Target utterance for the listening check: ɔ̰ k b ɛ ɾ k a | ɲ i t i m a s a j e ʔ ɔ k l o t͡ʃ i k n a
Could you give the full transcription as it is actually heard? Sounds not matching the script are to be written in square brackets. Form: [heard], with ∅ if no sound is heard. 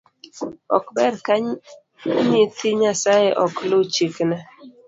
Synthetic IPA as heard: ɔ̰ k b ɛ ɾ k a | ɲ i t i [ɲ] a s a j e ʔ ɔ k l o t͡ʃ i k n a